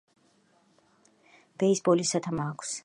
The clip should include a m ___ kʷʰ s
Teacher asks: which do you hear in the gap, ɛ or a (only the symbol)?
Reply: a